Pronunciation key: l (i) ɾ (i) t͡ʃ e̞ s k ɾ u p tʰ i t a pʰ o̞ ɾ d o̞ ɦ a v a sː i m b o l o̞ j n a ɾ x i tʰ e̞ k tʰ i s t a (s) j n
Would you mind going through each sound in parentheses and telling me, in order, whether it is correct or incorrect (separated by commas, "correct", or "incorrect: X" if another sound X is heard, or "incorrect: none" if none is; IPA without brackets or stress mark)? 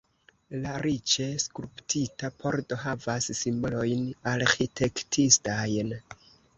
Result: incorrect: a, correct, incorrect: none